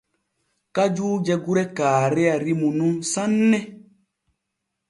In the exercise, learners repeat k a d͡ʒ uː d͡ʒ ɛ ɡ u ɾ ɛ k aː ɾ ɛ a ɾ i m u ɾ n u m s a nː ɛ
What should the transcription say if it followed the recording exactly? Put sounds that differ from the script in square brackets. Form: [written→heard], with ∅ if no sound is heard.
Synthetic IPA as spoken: k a d͡ʒ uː d͡ʒ ɛ ɡ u ɾ ɛ k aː ɾ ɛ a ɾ i m u [ɾ→∅] n u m s a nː ɛ

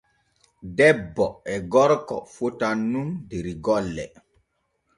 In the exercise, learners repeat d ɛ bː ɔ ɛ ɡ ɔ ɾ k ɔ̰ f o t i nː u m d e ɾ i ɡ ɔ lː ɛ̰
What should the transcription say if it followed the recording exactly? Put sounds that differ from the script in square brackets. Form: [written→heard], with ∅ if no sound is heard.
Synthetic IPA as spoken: d ɛ bː ɔ ɛ ɡ ɔ ɾ k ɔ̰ f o t [i→a] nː u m d e ɾ i ɡ ɔ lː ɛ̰

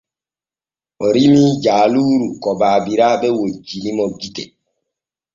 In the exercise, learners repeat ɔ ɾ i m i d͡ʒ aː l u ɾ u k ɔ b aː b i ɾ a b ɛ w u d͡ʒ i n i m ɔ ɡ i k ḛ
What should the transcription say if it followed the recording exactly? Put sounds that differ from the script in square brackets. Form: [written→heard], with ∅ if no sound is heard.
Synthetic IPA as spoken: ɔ ɾ i m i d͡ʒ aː l u ɾ u k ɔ b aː b i ɾ a b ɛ w [u→o] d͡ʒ i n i m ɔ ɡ i [k→t] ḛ

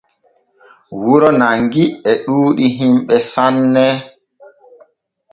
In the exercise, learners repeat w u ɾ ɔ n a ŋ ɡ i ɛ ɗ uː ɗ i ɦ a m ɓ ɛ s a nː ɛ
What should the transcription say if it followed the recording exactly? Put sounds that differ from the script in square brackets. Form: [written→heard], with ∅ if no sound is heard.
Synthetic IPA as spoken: w u ɾ ɔ n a ŋ ɡ i ɛ ɗ uː ɗ i ɦ [a→i] m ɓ ɛ s a nː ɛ

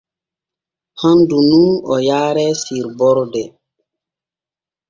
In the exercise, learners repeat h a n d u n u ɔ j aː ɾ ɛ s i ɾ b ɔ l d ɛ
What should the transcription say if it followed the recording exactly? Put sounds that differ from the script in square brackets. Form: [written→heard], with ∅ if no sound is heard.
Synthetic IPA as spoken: h a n d u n u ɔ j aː ɾ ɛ s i ɾ b ɔ [l→ɾ] d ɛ

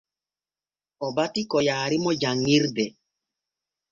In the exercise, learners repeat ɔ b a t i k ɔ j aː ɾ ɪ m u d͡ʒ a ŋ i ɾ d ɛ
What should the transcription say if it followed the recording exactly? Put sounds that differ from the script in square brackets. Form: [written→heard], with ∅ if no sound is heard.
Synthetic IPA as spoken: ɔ b a t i k ɔ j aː ɾ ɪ m [u→ɔ] d͡ʒ a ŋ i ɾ d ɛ

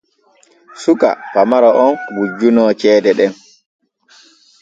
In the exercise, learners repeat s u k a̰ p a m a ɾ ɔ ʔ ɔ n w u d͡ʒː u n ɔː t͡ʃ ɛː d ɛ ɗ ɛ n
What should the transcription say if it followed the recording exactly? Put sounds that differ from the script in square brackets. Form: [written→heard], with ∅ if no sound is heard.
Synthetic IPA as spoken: s u k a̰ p a m a ɾ ɔ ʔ ɔ n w u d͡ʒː u n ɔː t͡ʃ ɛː d ɛ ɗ ɛ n

